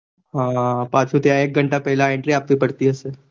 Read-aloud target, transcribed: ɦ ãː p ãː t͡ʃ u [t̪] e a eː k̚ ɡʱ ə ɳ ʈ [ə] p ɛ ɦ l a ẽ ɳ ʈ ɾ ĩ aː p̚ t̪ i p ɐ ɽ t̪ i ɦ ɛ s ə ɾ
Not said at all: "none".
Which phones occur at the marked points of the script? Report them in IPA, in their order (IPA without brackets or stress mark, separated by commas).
t̪, a